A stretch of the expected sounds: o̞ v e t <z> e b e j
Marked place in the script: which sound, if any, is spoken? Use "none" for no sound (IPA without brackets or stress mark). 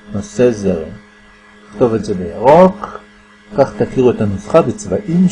z